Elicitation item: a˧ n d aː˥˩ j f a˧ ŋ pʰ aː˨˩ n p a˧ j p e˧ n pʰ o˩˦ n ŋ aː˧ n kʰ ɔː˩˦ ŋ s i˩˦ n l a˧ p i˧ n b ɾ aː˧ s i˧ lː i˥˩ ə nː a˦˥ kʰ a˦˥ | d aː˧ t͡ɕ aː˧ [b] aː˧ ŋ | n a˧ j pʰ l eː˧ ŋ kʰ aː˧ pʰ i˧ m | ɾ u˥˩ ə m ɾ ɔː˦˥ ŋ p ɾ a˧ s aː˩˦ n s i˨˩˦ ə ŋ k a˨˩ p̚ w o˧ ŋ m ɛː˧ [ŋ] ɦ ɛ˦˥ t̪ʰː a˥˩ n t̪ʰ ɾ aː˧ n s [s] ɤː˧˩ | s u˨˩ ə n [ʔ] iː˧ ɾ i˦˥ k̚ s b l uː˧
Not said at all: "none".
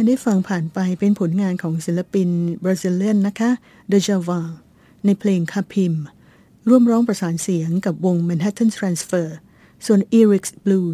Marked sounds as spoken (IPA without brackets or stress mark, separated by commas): w, n, f, ʔ